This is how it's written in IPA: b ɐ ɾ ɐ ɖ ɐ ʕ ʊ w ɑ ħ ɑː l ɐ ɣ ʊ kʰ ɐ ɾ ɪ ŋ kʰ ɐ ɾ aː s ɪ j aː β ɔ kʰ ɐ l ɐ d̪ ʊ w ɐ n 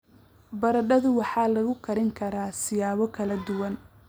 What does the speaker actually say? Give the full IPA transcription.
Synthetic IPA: b ɐ ɾ ɐ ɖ ɐ ð ʊ w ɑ ħ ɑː l ɐ ɣ ʊ kʰ ɐ ɾ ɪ ŋ kʰ ɐ ɾ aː s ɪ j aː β ɔ kʰ ɐ l ɐ d̪ ʊ w ɐ n